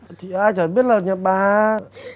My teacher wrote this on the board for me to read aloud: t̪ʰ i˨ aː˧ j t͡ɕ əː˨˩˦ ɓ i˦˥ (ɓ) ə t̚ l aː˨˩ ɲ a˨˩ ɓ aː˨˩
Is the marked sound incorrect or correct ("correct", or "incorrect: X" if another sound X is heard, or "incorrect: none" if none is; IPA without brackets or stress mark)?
incorrect: none